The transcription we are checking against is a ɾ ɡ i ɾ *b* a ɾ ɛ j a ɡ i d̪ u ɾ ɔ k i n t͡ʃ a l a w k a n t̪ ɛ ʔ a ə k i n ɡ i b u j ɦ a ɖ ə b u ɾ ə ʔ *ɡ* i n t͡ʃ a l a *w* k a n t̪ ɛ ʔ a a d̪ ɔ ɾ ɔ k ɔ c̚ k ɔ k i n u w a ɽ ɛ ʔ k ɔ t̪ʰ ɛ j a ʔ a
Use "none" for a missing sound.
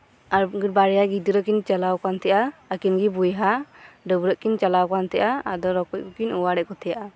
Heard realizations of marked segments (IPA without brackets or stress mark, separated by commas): b, k, w